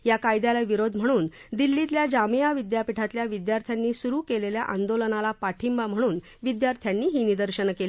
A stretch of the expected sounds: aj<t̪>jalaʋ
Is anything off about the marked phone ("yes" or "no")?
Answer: yes